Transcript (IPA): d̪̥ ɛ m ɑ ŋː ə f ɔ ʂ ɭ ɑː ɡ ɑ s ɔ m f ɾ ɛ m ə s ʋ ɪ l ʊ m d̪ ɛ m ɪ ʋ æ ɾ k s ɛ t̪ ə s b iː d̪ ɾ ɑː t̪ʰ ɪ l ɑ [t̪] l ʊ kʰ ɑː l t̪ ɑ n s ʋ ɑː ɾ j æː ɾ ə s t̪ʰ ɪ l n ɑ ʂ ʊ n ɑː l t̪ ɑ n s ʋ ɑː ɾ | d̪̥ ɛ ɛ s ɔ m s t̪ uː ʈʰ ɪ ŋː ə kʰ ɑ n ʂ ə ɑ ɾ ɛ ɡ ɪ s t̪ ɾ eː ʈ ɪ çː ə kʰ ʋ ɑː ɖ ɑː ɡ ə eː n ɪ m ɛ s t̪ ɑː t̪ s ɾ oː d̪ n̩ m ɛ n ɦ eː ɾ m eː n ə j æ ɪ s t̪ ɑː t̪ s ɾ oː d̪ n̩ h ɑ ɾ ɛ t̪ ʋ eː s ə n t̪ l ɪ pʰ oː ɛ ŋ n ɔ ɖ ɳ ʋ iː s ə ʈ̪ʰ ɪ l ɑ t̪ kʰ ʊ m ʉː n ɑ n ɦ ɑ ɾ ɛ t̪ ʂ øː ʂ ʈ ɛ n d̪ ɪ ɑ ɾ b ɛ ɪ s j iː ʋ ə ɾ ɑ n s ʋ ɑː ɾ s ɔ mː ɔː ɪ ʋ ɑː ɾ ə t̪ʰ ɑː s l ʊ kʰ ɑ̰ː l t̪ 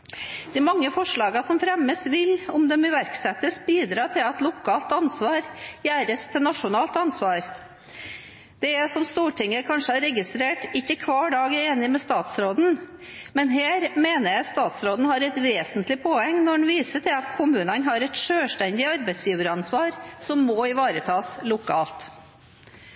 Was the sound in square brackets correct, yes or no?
yes